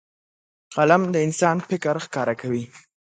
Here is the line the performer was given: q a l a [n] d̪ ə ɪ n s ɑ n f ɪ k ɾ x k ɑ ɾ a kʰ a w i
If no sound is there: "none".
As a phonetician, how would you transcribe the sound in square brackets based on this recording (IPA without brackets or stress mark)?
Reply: m